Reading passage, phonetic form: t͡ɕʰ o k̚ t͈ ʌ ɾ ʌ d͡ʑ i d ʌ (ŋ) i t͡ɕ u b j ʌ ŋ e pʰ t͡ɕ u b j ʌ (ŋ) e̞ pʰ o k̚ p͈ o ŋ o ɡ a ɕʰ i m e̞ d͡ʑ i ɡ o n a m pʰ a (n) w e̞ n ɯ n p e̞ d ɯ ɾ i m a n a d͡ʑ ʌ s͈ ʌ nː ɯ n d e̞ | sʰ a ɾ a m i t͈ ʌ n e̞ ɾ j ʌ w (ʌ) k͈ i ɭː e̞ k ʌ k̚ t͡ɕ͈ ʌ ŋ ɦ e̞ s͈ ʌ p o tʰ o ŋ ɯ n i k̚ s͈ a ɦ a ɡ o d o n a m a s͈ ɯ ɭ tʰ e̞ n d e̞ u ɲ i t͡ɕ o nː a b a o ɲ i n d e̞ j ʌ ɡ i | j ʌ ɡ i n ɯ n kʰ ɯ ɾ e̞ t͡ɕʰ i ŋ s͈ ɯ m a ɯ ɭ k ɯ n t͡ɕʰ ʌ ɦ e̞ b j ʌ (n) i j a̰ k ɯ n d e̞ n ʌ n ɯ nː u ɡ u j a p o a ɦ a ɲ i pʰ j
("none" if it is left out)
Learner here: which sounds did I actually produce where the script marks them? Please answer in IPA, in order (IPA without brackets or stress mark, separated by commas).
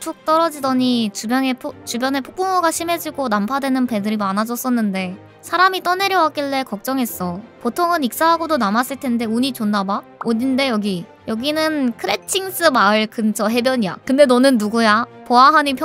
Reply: ɲ, n, d, a, ɲ